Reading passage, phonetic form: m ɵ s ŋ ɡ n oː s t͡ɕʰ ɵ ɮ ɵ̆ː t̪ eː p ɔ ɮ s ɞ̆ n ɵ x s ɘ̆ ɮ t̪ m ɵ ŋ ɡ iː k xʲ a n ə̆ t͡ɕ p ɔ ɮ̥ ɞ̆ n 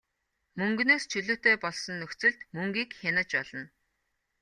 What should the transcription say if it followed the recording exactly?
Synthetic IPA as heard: m ɵ ŋ ɡ n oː s t͡ɕʰ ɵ ɮ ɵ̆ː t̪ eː p ɔ ɮ s ɞ̆ nː ɵ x t͡s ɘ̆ ɮ t̪ m ɵ ŋ ɡ iː k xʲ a n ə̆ t͡ɕ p ɔ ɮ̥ ɞ̆ n